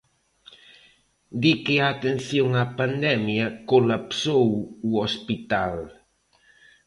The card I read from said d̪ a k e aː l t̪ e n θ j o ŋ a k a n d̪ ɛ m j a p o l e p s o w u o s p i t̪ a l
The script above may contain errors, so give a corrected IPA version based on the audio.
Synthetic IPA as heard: d̪ i k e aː t̪ e n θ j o ŋ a p a n d̪ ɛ m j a k o l a p s o w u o s p i t̪ a l

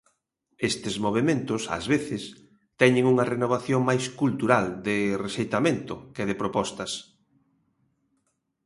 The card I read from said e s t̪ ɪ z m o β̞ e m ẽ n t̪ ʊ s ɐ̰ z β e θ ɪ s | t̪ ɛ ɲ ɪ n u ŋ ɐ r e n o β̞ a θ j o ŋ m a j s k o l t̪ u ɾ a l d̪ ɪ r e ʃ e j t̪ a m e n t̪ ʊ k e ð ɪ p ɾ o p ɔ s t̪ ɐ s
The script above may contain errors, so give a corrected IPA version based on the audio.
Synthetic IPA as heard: e s t̪ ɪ z m o β̞ e m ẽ n t̪ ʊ s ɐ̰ z β e θ ɪ s | t̪ ɛ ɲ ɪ ŋ u ŋ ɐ r e n o β̞ a θ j o ŋ m a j s k u l t̪ u ɾ a l d̪ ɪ r e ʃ e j t̪ a m e n t̪ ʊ k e ð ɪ p ɾ o p ɔ s t̪ ɐ s

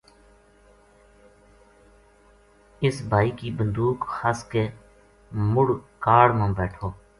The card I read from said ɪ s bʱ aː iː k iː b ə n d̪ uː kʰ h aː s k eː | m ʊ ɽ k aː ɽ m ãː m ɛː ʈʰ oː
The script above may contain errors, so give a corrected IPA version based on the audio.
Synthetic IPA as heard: ɪ s bʱ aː iː k iː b ə n d̪ uː k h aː s k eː | m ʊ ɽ k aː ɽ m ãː b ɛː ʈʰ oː

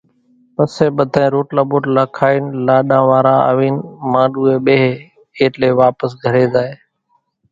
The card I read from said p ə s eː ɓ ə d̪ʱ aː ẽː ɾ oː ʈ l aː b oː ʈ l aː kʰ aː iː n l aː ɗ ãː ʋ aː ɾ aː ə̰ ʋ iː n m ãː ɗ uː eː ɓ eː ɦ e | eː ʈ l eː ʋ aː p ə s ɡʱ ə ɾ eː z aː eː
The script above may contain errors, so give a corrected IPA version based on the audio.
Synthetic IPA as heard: p ə s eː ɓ ə d̪ʱ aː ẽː ɾ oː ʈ l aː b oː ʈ l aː kʰ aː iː n l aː ɗ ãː ʋ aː ɾ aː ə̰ ʋ iː n m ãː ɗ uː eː ɓ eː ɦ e | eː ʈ l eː ʋ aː p ə s ɡʱ ə ɾ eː z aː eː

